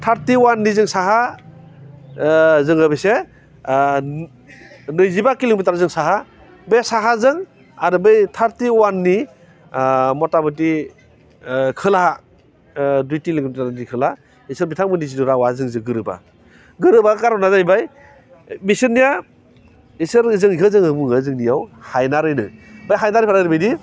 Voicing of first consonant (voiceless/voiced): voiceless